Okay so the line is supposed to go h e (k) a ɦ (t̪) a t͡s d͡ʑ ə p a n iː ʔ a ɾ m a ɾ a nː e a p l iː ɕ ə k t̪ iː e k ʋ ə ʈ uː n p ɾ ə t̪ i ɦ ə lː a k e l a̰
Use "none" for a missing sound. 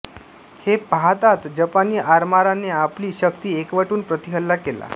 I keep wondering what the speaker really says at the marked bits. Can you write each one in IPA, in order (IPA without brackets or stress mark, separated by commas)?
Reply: p, t̪